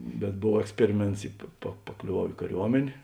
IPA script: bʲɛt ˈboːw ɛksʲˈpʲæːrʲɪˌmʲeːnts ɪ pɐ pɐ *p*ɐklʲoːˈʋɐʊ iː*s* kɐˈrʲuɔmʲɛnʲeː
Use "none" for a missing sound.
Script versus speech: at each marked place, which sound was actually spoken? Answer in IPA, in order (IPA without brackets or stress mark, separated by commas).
p, none